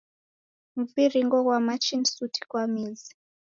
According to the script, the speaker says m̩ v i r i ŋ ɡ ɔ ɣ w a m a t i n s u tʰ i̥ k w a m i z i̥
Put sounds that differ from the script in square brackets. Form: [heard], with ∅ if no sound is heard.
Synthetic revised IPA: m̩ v i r i ŋ ɡ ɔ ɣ w a m a [t͡ʃ] i n s u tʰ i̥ k w a m i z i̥